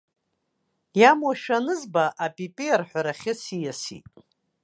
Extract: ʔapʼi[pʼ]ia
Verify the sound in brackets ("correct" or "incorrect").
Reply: correct